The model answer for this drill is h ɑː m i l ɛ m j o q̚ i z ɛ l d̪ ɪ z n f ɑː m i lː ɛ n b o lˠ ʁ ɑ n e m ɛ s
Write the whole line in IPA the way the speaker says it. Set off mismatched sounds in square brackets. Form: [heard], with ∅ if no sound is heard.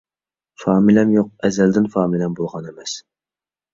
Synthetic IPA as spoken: [f] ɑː m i l ɛ m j o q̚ [ɛ] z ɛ l d̪ ɪ [∅] n f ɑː m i [l] ɛ [m] b o lˠ ʁ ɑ n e m ɛ s

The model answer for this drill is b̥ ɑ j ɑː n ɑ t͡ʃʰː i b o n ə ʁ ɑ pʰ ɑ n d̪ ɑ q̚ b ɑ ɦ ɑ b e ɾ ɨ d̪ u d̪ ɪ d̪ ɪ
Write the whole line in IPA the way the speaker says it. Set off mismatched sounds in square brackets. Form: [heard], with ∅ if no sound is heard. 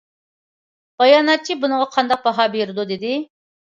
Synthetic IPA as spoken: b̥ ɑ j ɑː n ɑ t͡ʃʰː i b [u] n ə ʁ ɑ [qʰ] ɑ n d̪ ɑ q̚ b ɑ ɦ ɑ b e ɾ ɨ d̪ u d̪ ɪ d̪ ɪ

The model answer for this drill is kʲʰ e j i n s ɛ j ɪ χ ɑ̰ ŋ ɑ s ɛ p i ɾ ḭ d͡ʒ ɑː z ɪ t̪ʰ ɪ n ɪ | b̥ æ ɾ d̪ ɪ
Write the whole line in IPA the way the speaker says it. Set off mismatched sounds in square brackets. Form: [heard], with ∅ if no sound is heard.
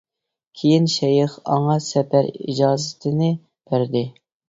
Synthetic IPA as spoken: kʲʰ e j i n [ʃ] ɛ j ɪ χ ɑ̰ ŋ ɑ s ɛ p [æ] ɾ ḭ d͡ʒ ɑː z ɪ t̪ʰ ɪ n ɪ | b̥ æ ɾ d̪ ɪ

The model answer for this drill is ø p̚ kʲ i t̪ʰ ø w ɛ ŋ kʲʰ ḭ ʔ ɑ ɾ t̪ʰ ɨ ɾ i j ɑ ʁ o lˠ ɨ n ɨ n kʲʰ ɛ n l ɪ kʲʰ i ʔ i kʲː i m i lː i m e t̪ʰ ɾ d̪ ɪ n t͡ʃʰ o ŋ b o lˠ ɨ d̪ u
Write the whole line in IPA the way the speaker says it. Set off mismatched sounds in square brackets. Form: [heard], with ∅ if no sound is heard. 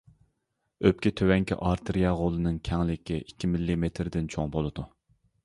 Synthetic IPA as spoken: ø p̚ kʲ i t̪ʰ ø w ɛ ŋ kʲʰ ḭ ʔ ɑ ɾ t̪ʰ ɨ ɾ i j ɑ ʁ o lˠ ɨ n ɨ [ŋ] kʲʰ ɛ [ŋ] l ɪ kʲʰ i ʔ i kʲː i m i lː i m e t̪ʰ ɾ d̪ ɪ n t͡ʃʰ o ŋ b o lˠ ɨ d̪ u

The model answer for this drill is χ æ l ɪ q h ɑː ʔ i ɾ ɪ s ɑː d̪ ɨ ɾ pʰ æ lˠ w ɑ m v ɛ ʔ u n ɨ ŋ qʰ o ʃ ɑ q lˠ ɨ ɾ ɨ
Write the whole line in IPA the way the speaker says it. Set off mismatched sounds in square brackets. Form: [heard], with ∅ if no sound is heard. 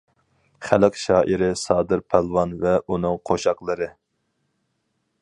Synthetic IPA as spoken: χ æ l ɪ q [ʃ] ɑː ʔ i ɾ ɪ s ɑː d̪ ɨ ɾ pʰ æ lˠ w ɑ [n] v ɛ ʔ u n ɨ ŋ qʰ o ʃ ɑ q lˠ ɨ ɾ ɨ

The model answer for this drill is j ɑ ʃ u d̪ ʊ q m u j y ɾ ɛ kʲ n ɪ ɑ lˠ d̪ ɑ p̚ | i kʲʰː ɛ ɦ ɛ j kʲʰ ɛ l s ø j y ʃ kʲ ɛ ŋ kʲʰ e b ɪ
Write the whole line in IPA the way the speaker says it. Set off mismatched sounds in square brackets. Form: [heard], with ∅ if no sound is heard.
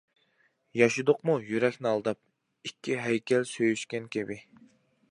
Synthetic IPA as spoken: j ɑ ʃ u d̪ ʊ q m u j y ɾ ɛ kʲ n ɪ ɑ lˠ d̪ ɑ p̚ | i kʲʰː [i] ɦ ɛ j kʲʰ ɛ l s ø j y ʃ kʲ ɛ [n] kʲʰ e b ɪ

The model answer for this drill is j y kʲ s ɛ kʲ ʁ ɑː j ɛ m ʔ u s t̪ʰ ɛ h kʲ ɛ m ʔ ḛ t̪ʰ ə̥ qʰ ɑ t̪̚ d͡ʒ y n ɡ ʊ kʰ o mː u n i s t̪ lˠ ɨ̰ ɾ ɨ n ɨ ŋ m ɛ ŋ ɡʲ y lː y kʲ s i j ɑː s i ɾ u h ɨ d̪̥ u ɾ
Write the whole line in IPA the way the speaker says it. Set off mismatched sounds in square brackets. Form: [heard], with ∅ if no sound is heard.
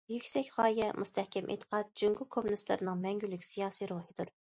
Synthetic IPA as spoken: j y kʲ s ɛ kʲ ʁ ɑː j ɛ m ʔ u s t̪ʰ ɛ h kʲ ɛ m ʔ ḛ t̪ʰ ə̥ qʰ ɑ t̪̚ d͡ʒ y [ŋ] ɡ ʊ kʰ o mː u n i s t̪ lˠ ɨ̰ ɾ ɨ n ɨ ŋ m ɛ ŋ ɡʲ y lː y kʲ s i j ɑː s i ɾ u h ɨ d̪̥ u ɾ

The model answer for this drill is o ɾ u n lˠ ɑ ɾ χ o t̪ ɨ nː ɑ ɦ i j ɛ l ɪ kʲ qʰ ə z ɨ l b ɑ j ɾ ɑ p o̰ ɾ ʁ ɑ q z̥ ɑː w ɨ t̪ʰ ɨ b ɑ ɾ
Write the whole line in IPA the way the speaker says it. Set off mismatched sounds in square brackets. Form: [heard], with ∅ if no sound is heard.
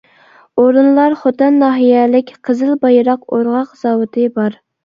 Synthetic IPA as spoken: o ɾ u n lˠ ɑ ɾ χ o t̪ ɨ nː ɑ ɦ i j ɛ l ɪ kʲ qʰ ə z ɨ l b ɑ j ɾ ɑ [q] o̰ ɾ ʁ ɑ q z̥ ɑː w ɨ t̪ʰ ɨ b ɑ ɾ

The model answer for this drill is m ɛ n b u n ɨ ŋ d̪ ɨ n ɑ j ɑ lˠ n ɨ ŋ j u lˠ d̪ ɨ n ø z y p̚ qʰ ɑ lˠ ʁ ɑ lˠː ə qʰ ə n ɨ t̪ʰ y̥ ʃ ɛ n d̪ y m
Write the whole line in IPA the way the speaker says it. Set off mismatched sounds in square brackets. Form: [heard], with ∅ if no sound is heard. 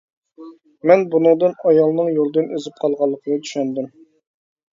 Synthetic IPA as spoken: m ɛ n b u n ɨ ŋ d̪ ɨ n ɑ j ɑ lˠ n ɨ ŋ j [o] lˠ d̪ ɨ n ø z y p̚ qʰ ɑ lˠ ʁ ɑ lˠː ə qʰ ə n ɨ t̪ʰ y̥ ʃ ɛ n d̪ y m

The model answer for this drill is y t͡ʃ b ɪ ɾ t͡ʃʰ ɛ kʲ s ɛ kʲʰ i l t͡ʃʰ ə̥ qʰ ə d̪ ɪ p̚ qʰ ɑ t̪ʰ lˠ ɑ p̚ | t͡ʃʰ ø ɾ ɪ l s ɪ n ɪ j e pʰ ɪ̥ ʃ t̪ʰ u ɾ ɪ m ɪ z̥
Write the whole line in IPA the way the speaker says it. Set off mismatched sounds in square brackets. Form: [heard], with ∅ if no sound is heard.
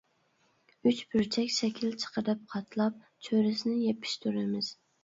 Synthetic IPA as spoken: y t͡ʃ b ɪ ɾ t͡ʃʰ ɛ kʲ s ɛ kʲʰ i l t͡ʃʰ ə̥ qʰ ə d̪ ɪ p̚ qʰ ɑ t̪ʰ lˠ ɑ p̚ | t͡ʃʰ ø ɾ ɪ [∅] s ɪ n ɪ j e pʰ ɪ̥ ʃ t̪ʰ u ɾ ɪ m ɪ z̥

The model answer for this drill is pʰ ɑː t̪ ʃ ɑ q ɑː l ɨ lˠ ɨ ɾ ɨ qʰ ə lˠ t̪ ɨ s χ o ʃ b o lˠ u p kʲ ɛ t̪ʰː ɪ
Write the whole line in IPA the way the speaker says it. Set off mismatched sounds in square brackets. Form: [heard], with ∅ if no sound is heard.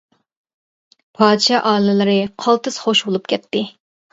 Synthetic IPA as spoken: pʰ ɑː [d̪] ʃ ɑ [ʔ] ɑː l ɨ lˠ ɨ ɾ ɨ qʰ [ɑ] lˠ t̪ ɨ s χ o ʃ b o lˠ u p kʲ ɛ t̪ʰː ɪ

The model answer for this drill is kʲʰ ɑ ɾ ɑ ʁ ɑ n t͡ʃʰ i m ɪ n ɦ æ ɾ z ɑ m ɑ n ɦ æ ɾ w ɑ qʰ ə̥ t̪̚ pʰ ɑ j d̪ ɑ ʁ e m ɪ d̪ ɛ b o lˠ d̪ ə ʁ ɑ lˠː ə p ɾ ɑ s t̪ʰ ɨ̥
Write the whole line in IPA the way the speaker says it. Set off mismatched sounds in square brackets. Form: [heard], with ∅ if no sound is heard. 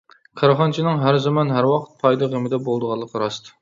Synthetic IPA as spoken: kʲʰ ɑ ɾ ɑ [χ] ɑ n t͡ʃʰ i [n] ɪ [ŋ] ɦ æ ɾ z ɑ m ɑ n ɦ æ ɾ w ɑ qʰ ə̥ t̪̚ pʰ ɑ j d̪ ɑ ʁ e m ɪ d̪ ɛ b o lˠ d̪ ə ʁ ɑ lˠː ə [q] ɾ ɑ s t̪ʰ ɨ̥

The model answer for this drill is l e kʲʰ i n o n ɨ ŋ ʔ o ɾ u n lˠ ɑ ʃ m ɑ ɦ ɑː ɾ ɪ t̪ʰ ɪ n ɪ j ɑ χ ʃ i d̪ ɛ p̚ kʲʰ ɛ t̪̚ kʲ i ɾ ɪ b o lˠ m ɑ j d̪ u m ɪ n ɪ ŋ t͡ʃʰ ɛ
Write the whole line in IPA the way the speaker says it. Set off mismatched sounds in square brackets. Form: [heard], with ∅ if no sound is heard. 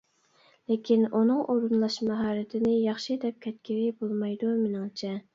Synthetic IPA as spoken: l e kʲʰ i n [u] n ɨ ŋ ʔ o ɾ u n lˠ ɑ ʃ m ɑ ɦ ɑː ɾ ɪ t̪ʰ ɪ n ɪ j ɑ χ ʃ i d̪ ɛ p̚ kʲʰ ɛ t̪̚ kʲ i ɾ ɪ b o lˠ m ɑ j d̪ u m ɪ n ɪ ŋ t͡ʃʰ ɛ

